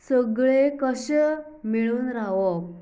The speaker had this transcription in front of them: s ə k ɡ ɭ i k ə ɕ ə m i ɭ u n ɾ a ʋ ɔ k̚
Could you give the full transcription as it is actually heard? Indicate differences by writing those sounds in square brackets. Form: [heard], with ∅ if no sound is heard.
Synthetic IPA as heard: s ə [∅] ɡ ɭ [e] k ə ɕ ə m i ɭ [uː] n ɾ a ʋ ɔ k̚

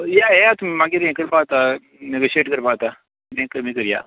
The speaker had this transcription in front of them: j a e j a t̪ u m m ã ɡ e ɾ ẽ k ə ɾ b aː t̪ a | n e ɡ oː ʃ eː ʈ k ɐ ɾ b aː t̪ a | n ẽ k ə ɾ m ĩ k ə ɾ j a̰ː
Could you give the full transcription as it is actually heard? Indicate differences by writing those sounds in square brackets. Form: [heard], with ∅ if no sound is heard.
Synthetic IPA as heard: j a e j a t̪ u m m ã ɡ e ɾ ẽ k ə ɾ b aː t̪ a | n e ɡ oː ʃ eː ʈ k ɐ ɾ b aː t̪ a | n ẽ k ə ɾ m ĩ k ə ɾ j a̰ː

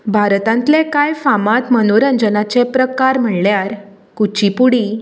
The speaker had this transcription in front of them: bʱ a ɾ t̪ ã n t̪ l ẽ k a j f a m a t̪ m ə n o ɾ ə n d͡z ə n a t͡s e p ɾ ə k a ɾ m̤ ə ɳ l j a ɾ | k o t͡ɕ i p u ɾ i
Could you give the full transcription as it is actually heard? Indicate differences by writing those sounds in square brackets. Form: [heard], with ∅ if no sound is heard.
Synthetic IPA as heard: bʱ a ɾ t̪ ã n t̪ l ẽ k a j f a m a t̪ m ə n o ɾ ə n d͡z ə n a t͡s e p ɾ ə k a ɾ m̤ ə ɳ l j a ɾ | k [u] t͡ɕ i p u [ɽ] i

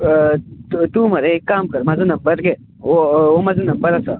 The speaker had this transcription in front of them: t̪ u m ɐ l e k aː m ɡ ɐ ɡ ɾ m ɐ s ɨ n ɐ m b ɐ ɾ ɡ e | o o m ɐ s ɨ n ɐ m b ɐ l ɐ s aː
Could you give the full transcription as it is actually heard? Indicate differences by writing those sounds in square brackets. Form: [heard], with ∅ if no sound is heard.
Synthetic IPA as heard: t̪ u m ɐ [ɾ] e k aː m [k] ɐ [∅] ɾ m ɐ [z] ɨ n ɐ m b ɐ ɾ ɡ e | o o m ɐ [z] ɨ n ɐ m b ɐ [ɾ] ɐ s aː

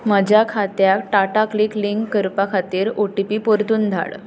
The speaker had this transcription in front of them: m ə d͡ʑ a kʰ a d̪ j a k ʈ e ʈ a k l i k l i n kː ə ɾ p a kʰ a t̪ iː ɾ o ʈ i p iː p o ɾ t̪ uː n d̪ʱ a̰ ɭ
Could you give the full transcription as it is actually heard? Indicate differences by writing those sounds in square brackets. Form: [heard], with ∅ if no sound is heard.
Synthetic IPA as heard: m ə d͡ʑ a kʰ a [t̪] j a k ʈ [a] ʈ a k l i k l i [ŋ] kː ə ɾ p a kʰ a t̪ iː ɾ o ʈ i p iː p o ɾ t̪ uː n d̪ʱ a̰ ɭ

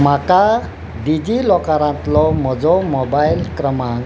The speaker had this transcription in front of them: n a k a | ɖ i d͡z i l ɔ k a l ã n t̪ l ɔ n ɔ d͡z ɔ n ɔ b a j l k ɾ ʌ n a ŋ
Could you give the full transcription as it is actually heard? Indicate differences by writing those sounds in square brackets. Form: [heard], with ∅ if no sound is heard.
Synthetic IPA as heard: [m] a k a | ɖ i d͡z i l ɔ k a [ɾ] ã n t̪ l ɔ [m] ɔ d͡z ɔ [m] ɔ b a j l k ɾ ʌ [m] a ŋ

